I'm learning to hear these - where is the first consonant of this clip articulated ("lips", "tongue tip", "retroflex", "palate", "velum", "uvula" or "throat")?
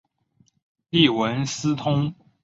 tongue tip